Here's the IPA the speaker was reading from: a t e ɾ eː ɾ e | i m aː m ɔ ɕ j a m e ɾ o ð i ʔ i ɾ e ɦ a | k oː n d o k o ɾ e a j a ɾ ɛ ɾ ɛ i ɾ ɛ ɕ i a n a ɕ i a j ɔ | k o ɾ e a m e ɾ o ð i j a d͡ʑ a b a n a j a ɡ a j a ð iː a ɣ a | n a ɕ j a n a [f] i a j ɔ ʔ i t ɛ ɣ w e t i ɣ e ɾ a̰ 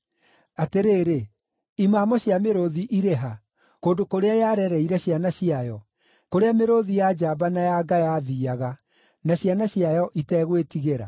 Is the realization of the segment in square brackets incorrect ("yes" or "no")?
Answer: yes